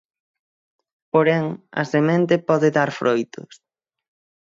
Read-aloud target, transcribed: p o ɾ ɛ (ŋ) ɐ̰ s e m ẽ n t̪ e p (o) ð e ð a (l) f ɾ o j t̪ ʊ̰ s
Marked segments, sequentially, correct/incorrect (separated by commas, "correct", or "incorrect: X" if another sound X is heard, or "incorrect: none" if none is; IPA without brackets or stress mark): correct, incorrect: ɔ, incorrect: ɾ